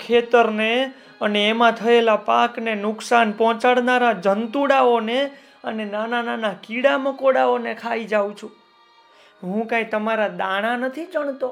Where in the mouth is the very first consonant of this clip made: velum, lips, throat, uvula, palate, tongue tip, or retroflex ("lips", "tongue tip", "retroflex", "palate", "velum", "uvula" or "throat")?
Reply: velum